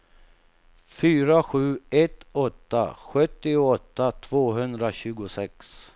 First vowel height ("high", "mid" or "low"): high